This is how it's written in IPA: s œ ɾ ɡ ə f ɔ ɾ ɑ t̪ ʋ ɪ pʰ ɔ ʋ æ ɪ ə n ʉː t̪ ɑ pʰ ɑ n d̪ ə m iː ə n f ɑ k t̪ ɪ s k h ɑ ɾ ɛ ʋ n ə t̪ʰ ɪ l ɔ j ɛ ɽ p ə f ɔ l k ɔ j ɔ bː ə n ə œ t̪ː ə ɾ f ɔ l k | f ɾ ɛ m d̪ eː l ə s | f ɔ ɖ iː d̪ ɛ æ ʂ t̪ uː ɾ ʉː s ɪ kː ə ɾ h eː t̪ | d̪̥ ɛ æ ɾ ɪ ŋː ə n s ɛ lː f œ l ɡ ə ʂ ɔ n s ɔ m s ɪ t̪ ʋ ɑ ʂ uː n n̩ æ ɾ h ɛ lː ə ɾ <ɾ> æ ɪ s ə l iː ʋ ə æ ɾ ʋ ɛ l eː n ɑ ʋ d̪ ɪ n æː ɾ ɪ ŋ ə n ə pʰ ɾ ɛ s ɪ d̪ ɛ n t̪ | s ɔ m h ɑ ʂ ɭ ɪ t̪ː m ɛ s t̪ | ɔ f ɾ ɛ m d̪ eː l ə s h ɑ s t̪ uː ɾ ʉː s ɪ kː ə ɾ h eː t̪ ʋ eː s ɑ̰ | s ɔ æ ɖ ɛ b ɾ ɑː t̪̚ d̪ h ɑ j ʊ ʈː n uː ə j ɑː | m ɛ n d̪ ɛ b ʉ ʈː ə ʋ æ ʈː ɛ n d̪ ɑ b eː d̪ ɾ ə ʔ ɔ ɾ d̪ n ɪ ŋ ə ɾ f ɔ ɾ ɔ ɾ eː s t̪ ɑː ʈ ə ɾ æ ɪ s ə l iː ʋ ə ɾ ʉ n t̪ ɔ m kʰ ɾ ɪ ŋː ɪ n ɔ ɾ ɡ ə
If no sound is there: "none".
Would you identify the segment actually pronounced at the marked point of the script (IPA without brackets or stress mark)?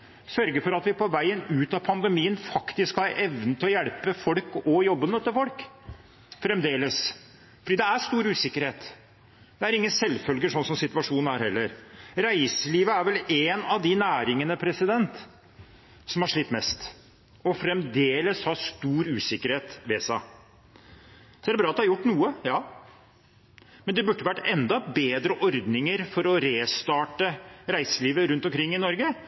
ɾ